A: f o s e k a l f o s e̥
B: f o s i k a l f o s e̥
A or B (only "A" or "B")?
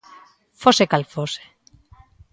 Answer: A